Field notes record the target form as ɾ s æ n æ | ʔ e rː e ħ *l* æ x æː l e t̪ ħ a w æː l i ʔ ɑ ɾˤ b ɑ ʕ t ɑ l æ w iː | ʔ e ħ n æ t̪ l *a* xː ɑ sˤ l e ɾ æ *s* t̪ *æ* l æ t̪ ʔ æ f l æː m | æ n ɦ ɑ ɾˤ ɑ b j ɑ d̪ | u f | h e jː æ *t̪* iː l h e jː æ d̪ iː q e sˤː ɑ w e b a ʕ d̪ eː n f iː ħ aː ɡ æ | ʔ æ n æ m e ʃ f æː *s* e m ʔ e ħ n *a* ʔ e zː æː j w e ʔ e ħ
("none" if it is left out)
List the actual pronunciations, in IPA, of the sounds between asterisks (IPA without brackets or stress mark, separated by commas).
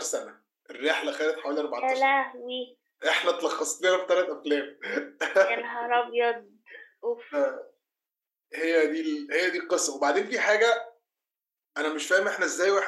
l, ɑ, f, æ, d̪, h, æ